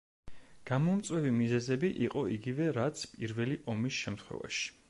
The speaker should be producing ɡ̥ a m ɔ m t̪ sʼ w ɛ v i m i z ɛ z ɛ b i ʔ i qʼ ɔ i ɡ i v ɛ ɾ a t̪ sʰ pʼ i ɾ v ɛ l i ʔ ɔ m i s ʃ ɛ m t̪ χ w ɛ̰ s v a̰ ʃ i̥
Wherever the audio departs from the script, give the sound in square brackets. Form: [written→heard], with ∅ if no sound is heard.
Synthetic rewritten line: ɡ̥ a m ɔ m t̪ sʼ w ɛ v i m i z ɛ z ɛ b i ʔ i qʼ ɔ i ɡ i v ɛ ɾ a t̪ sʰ pʼ i ɾ v ɛ l i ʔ ɔ m i s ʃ ɛ m t̪ χ w ɛ̰ [s→∅] v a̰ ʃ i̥